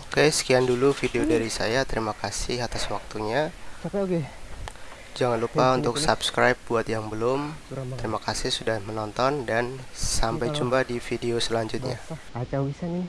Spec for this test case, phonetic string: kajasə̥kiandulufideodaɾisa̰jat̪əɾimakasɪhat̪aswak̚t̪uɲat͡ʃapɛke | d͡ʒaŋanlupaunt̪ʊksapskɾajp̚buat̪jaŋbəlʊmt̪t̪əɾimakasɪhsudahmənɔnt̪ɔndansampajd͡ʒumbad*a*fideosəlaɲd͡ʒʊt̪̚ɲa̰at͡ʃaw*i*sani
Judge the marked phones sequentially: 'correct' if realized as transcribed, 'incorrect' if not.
incorrect, correct

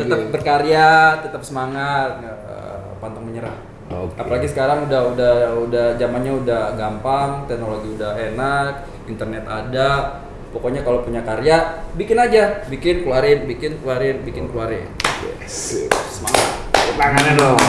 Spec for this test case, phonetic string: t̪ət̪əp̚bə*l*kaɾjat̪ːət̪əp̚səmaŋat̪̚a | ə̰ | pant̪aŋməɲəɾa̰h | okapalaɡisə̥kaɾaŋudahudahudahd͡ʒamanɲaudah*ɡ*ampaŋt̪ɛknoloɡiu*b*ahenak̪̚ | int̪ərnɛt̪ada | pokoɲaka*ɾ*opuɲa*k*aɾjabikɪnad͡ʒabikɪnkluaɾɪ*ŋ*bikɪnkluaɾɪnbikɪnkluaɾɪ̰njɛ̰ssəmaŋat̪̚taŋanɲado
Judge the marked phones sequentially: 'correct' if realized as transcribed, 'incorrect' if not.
incorrect, correct, incorrect, incorrect, correct, incorrect

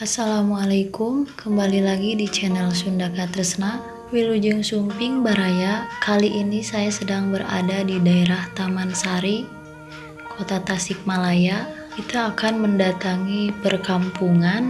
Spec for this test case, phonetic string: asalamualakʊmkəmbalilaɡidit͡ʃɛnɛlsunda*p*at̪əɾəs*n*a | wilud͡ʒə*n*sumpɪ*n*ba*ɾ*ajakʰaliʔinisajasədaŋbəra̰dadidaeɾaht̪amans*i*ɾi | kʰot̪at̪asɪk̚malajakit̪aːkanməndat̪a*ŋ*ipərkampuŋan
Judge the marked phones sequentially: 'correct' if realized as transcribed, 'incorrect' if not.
incorrect, correct, incorrect, incorrect, correct, incorrect, correct

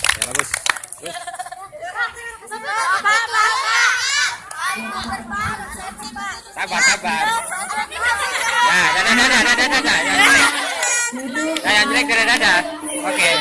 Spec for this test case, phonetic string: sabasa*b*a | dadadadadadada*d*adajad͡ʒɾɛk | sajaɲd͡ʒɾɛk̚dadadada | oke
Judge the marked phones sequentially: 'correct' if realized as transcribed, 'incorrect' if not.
correct, correct

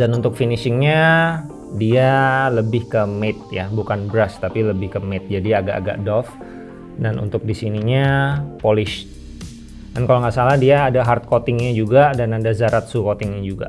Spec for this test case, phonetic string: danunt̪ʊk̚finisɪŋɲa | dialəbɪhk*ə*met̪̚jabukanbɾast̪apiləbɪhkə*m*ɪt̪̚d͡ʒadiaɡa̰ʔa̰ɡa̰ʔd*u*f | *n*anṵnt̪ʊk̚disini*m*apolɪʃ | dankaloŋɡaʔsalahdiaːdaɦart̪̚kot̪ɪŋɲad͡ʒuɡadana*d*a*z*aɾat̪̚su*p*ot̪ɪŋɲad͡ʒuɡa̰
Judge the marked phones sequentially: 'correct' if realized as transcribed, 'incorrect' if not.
correct, correct, incorrect, incorrect, incorrect, correct, correct, incorrect

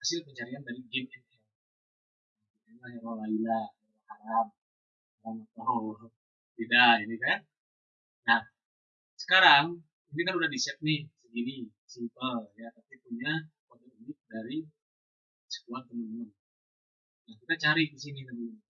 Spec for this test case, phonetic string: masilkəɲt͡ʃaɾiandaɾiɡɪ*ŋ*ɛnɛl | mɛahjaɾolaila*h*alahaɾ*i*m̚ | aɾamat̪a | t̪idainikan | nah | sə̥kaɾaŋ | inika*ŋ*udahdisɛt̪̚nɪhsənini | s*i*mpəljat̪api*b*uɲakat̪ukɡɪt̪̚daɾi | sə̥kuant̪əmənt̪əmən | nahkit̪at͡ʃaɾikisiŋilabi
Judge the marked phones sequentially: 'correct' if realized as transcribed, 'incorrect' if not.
incorrect, correct, incorrect, incorrect, correct, incorrect

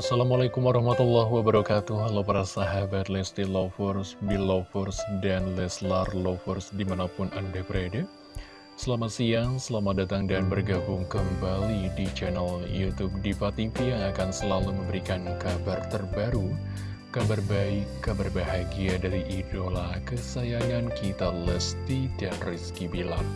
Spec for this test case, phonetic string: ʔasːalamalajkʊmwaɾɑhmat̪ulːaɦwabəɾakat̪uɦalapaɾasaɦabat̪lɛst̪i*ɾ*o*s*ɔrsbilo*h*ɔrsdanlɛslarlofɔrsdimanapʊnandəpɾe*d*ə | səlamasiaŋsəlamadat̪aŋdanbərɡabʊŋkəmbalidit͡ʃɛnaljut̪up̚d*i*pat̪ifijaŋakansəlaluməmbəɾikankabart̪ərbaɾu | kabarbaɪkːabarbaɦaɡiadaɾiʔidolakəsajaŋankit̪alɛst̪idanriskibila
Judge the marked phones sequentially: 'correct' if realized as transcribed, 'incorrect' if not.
incorrect, incorrect, incorrect, correct, correct

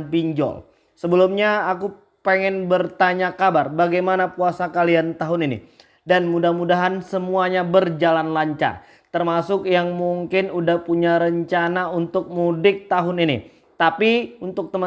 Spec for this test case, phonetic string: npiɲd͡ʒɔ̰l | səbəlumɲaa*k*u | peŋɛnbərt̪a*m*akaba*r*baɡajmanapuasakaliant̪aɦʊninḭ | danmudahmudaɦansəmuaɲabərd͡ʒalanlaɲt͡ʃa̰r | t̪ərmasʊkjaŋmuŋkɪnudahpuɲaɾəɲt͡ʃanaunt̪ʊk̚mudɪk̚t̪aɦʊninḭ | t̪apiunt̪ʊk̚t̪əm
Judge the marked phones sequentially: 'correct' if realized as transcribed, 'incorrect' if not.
correct, incorrect, correct

